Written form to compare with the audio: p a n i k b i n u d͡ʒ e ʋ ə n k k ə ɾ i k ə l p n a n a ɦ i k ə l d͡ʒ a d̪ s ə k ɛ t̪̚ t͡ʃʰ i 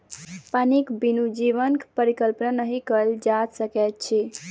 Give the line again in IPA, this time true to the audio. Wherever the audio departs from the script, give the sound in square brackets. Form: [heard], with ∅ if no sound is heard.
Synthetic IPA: p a n i k b i n u d͡ʒ [i] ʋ ə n k [p] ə ɾ i k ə l p n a n [ə] ɦ i k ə l d͡ʒ a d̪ s ə k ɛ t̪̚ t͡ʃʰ i